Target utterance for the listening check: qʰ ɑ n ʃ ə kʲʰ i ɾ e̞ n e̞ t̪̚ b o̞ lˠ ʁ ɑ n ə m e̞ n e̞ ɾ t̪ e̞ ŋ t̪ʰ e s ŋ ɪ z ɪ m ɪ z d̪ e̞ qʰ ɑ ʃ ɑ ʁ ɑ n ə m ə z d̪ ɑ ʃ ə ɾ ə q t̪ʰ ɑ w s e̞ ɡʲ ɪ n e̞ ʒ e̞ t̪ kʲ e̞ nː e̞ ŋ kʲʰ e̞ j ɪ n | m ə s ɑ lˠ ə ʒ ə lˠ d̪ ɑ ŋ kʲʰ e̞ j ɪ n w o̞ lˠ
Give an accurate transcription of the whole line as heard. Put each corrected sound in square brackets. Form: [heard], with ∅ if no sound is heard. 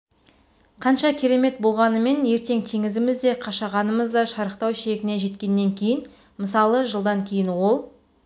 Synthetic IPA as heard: qʰ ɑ n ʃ [ɑ] kʲʰ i ɾ e̞ [m] e̞ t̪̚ b o̞ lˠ ʁ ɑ n ə m e̞ n e̞ ɾ t̪ e̞ ŋ t̪ʰ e [∅] ŋ ɪ z ɪ m ɪ z d̪ e̞ qʰ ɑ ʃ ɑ ʁ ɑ n ə m ə z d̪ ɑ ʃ [ɑ] ɾ ə q [t̪] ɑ w [ʃ] e̞ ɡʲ ɪ n e̞ ʒ e̞ t̪ kʲ e̞ nː e̞ ŋ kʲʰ e̞ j ɪ n | m ə s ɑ lˠ ə ʒ ə lˠ d̪ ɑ ŋ kʲʰ e̞ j ɪ n w o̞ lˠ